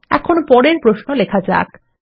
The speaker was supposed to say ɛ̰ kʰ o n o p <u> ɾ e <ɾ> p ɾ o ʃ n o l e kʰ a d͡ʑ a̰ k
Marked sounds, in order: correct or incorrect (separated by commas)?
incorrect, correct